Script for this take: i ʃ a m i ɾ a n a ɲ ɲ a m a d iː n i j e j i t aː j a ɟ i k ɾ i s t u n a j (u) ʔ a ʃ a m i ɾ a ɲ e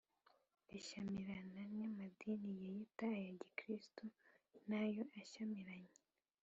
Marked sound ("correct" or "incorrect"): incorrect